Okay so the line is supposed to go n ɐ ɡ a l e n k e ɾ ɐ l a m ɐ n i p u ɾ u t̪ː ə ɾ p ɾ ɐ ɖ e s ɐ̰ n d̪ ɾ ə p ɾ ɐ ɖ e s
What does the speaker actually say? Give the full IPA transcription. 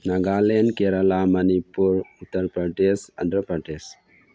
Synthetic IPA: n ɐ ɡ a l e n k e ɾ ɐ l a m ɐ n i p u ɾ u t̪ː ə ɾ p ɾ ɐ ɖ e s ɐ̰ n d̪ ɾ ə p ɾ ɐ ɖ e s